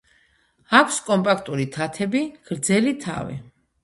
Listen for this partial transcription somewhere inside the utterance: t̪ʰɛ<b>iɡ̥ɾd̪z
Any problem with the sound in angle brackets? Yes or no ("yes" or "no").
no